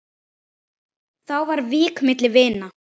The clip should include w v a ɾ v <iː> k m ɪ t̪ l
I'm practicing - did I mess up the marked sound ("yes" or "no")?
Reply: no